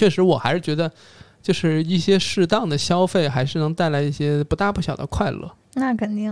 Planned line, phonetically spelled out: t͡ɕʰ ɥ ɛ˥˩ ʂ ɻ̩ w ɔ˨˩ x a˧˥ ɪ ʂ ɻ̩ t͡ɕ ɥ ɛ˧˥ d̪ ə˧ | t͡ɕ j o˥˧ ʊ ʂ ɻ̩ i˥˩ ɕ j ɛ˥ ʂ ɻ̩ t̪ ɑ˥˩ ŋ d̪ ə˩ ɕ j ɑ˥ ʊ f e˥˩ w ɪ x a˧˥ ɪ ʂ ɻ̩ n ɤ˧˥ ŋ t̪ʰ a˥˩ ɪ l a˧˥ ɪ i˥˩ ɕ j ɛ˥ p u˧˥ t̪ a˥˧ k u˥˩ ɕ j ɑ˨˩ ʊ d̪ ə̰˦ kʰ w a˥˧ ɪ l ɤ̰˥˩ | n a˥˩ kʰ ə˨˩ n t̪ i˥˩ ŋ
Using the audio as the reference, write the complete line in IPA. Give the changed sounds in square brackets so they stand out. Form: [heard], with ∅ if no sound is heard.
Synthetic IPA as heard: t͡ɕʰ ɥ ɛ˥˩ ʂ ɻ̩ w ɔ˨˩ x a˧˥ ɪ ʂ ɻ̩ t͡ɕ ɥ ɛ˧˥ d̪ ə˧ | t͡ɕ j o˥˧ ʊ ʂ ɻ̩ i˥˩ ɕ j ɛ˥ ʂ ɻ̩ t̪ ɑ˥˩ ŋ d̪ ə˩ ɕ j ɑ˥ ʊ f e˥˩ [∅] ɪ x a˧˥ ɪ ʂ ɻ̩ n ɤ˧˥ ŋ [t̪] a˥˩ ɪ l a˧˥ ɪ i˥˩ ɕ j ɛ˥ p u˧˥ t̪ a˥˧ [p] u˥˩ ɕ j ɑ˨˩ ʊ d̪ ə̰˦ kʰ w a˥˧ ɪ l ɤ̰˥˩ | n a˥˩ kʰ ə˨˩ n t̪ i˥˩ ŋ